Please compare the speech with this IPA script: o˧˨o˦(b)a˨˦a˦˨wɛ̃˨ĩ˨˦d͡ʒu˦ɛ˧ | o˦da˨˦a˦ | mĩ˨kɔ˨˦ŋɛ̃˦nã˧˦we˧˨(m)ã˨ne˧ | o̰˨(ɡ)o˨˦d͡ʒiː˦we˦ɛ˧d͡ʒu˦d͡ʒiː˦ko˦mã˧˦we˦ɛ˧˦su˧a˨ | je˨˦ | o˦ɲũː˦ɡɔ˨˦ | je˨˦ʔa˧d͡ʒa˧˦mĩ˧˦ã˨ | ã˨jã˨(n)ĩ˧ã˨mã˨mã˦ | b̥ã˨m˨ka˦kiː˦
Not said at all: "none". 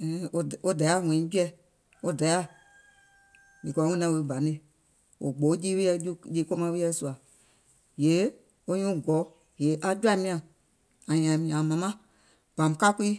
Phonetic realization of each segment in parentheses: d, b, ɡ͡b, m

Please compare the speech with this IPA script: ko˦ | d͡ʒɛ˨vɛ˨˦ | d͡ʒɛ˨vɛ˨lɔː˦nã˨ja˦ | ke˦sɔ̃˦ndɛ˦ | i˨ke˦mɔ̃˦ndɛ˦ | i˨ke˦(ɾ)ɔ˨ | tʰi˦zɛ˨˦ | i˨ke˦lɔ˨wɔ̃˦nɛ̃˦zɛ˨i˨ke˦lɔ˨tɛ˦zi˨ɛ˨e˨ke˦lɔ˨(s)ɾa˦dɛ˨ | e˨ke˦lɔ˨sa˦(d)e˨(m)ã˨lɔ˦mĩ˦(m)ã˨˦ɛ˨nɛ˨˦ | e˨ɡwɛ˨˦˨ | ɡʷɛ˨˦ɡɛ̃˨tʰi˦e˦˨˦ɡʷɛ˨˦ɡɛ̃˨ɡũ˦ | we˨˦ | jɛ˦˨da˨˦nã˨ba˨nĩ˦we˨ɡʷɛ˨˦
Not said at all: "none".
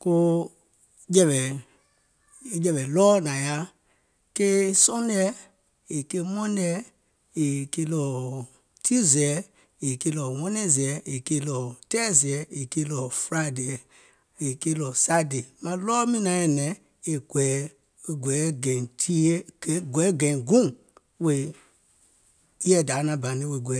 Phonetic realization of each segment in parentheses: l, f, d, m, n

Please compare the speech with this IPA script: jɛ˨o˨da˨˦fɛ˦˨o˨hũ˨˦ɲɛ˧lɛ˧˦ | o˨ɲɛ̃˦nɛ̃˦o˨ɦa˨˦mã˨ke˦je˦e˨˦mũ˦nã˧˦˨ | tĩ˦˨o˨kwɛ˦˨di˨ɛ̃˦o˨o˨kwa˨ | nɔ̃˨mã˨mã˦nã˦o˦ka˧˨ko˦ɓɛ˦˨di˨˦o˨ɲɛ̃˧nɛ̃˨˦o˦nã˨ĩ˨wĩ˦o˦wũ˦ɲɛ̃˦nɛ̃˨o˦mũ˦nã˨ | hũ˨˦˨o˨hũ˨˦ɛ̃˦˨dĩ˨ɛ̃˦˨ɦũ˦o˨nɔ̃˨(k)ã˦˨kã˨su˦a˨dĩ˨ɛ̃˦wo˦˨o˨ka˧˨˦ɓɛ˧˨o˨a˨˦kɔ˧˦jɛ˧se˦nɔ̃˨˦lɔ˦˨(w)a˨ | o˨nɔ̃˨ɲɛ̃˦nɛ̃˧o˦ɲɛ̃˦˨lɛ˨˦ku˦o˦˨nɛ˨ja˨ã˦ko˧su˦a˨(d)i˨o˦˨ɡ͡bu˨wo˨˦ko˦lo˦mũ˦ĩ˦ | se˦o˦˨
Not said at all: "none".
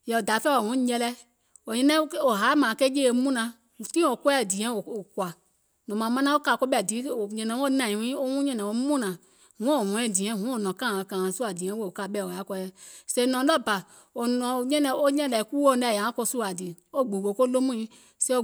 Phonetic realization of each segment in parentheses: k, b, d

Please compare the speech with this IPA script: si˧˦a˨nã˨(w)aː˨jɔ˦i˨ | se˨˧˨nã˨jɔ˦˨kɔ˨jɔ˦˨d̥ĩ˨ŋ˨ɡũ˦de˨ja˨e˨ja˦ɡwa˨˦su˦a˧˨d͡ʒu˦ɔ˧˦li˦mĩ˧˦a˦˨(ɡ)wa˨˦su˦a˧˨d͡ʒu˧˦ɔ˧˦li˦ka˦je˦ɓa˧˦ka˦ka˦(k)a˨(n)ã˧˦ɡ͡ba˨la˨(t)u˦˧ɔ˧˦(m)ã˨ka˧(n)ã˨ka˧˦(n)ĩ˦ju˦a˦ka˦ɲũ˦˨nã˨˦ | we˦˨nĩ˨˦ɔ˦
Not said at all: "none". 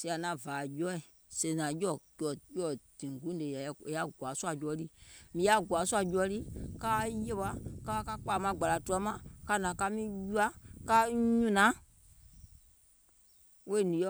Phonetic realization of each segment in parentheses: v, ɡ, k͡p, m, t, m, n, m

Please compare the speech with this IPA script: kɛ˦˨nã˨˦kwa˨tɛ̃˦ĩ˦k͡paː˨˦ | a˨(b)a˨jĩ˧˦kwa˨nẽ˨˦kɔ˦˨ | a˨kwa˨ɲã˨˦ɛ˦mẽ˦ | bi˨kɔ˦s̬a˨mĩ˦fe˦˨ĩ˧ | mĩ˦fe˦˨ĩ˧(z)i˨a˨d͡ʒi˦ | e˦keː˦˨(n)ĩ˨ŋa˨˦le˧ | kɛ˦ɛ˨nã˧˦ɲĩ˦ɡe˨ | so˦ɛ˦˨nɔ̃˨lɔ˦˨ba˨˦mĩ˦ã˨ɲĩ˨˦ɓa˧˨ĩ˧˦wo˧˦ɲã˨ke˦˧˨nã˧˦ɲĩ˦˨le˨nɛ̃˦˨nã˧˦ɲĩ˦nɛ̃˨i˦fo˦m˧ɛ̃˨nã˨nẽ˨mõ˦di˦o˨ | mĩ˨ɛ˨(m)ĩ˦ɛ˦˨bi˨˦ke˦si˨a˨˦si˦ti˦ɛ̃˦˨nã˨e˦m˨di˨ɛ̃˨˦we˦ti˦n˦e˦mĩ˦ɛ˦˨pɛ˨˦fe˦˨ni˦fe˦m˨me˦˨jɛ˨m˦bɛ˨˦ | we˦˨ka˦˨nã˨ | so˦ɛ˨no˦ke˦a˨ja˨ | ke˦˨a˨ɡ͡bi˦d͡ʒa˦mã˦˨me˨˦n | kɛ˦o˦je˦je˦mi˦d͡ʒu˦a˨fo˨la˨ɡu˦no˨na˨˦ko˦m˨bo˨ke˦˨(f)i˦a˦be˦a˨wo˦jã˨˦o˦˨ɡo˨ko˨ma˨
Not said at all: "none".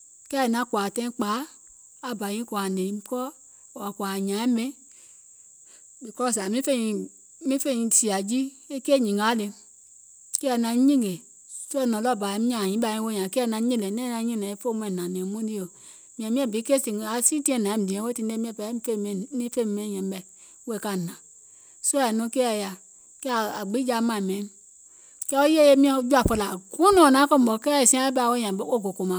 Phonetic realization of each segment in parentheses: b, s, ɲ, m, s

